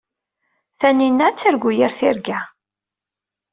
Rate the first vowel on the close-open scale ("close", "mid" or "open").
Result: open